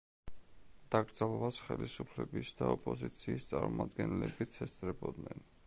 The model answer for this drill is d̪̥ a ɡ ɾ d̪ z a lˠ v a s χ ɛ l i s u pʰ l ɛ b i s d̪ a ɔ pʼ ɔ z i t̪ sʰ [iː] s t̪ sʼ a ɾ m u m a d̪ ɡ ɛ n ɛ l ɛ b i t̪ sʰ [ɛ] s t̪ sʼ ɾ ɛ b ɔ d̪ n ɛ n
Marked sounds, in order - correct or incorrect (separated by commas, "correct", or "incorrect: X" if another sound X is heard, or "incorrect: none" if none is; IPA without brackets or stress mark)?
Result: correct, correct